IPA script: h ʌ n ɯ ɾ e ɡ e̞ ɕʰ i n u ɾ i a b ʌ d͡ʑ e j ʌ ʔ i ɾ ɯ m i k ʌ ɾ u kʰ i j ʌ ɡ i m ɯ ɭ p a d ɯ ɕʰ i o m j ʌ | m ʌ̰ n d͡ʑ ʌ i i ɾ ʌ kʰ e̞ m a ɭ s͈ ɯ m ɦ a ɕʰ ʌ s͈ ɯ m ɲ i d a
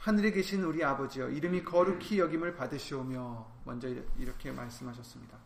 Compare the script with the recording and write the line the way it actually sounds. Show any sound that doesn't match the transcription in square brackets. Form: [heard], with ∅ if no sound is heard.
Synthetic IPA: h [a] n ɯ ɾ e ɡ e̞ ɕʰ i n u ɾ i a b ʌ d͡ʑ [i] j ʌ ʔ i ɾ ɯ m i k ʌ ɾ u kʰ i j ʌ ɡ i m ɯ ɭ p a d ɯ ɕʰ i o m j ʌ | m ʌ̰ n d͡ʑ ʌ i i ɾ ʌ kʰ e̞ m a ɭ s͈ ɯ m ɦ a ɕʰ ʌ s͈ ɯ m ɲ i d a